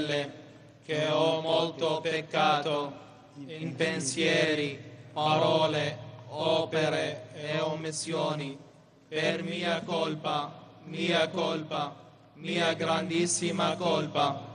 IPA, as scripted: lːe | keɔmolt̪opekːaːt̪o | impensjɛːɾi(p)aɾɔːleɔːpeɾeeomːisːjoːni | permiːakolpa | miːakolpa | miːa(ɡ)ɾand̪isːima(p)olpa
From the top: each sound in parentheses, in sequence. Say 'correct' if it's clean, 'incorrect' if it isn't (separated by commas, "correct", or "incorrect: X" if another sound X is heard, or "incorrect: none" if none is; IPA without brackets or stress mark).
correct, correct, incorrect: k